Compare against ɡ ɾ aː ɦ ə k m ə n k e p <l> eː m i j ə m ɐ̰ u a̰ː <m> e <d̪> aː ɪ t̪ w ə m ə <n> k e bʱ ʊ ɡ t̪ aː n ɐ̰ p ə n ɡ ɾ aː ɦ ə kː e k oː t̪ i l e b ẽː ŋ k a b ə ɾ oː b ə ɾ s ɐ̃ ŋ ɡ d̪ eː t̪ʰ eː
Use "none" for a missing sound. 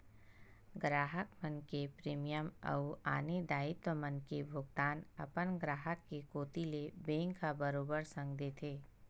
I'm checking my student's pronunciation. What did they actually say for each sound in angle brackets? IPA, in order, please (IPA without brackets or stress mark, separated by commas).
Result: ɾ, n, d̪, n